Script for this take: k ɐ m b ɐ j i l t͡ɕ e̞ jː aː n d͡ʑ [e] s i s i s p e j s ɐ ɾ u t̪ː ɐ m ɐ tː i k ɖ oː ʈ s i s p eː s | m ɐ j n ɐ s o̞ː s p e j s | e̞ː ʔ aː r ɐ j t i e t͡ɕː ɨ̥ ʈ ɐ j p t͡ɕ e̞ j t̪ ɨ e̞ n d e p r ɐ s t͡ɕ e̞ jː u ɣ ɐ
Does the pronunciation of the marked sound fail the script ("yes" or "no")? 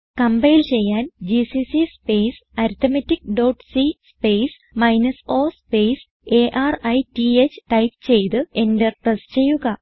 yes